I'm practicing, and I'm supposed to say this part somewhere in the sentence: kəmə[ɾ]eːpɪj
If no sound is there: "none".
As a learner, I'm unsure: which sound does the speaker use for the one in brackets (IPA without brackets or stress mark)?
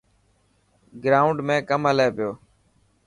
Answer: l